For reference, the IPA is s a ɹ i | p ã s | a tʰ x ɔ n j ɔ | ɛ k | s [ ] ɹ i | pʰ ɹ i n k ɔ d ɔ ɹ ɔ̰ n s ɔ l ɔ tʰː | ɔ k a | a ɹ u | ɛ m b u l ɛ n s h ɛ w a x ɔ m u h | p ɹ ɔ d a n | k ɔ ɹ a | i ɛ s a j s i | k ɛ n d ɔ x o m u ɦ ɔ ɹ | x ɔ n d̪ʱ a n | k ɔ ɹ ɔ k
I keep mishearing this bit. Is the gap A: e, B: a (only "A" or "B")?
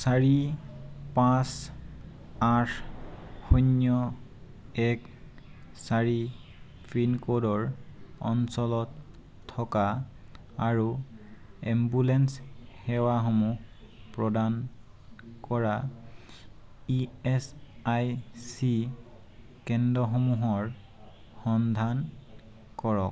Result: B